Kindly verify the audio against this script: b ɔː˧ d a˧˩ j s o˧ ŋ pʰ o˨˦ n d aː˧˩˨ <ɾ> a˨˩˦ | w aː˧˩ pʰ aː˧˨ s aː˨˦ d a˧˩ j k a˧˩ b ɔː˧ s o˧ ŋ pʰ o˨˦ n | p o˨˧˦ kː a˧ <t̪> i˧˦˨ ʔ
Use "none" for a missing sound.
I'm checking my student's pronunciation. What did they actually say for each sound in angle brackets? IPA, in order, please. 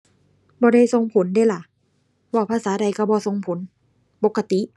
l, t̪

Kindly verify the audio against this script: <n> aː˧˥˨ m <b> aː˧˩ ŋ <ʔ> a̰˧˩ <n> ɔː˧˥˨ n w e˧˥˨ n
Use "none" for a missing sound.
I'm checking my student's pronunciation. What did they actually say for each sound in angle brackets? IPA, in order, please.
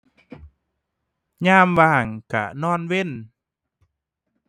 ɲ, w, k, n

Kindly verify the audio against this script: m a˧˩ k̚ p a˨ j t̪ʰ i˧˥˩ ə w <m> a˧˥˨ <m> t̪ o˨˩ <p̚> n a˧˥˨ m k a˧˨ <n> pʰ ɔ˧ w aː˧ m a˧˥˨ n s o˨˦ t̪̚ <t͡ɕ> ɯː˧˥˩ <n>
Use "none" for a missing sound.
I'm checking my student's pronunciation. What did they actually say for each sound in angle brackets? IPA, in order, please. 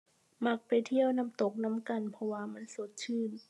n, m, k̚, n, t͡ɕʰ, n

